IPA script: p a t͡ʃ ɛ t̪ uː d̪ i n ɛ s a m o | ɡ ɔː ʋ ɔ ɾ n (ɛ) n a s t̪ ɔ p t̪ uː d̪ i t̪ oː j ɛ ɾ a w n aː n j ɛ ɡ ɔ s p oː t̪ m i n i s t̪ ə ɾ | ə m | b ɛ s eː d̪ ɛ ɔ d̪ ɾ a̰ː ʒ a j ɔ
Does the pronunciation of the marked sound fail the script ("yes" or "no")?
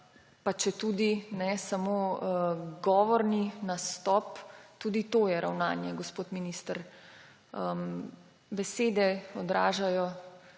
yes